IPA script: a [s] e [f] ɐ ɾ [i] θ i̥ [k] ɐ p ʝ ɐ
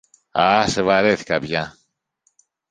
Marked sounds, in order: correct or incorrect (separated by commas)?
correct, incorrect, incorrect, correct